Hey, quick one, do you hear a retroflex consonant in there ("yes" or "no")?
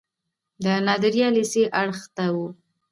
yes